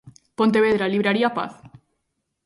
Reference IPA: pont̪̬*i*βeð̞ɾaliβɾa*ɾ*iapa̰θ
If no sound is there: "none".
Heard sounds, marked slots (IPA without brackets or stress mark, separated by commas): e, ɾ